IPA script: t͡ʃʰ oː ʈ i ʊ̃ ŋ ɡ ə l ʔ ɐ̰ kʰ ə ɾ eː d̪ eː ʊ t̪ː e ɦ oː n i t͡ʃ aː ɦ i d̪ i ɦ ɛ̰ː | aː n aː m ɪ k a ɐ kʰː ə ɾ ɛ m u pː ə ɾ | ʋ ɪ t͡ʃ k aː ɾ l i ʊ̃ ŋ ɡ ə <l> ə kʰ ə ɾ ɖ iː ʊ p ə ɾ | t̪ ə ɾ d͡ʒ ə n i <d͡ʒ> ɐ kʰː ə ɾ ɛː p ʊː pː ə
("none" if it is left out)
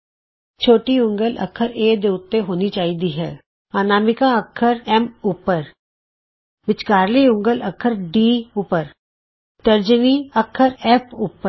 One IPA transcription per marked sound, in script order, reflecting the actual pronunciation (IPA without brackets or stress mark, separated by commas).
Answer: l, none